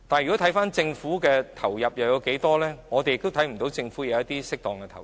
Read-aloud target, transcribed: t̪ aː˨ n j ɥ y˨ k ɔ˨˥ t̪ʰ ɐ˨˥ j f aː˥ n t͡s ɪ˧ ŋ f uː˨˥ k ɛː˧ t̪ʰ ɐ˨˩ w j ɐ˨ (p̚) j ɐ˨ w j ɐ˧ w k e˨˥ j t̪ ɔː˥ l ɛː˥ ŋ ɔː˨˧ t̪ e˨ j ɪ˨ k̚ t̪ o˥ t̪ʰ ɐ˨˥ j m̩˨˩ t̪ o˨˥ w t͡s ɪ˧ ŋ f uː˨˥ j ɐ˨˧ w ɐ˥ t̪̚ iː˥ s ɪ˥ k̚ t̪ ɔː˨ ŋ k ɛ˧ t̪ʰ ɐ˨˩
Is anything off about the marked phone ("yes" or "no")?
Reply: no